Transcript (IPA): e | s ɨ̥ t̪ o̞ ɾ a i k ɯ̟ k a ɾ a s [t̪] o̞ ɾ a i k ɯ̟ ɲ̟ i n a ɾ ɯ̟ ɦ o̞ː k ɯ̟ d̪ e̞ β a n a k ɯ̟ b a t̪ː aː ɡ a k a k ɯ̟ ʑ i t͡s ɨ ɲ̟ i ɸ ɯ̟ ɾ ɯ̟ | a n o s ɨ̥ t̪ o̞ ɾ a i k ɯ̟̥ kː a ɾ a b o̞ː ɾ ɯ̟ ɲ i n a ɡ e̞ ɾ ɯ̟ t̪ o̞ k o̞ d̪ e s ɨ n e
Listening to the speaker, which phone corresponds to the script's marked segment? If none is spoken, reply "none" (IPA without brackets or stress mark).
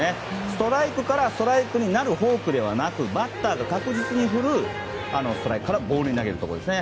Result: t̪